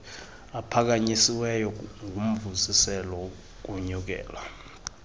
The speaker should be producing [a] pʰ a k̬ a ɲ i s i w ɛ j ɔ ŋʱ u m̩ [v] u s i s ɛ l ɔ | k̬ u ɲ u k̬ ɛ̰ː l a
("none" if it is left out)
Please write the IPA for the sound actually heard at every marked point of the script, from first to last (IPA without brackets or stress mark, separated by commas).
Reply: a, v